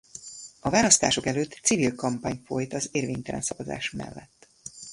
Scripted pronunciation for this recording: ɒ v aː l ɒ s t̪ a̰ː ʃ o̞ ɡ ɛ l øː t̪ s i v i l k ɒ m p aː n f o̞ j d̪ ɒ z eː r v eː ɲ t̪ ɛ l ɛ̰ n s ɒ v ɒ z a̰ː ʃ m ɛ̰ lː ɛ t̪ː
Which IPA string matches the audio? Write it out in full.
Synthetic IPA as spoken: ɒ v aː l ɒ s t̪ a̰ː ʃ o̞ k ɛ l øː t̪ s i v i l k ɒ m p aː ɲ f o̞ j t̪ ɒ z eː r v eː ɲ t̪ ɛ l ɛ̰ n s ɒ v ɒ z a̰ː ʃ m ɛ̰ lː ɛ t̪ː

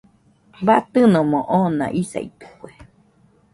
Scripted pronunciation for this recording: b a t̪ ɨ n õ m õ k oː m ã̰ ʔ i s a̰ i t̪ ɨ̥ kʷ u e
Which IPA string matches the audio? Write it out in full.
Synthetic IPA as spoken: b a t̪ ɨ n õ m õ ʔ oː n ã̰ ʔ i s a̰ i t̪ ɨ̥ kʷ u e

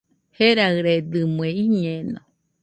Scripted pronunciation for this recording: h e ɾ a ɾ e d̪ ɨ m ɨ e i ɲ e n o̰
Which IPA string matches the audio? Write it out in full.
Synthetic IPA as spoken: h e ɾ a ɾ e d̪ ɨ m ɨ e i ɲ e n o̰

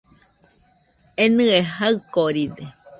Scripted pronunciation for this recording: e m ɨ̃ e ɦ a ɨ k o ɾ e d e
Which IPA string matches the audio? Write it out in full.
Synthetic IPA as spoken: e n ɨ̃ e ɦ a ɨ k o ɾ i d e

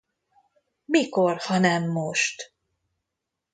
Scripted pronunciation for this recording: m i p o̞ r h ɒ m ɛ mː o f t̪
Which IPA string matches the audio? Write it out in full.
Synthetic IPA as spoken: m i k o̞ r h ɒ n ɛ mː o ʃ t̪

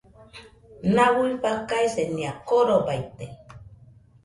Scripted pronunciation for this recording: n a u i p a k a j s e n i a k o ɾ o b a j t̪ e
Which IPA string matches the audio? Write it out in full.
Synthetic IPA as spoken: n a w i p a k a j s e n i a k o ɾ o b a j t̪ e

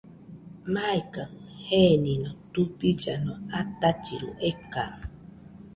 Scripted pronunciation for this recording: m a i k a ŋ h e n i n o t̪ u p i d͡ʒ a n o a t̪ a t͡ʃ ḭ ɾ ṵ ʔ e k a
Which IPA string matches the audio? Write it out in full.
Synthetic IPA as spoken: m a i k a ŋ h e n i n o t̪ u p i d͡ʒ a n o a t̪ a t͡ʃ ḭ ɾ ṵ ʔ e k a

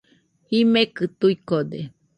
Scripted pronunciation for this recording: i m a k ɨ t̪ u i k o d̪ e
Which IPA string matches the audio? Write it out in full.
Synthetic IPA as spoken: i m e k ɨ t̪ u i k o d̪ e

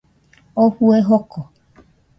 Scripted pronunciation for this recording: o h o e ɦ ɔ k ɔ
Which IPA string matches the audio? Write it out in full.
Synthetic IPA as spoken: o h u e ɦ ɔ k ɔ

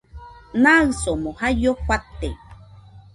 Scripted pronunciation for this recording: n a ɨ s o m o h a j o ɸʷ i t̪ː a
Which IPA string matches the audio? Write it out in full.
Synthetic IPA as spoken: n a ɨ s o m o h a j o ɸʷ a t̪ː e

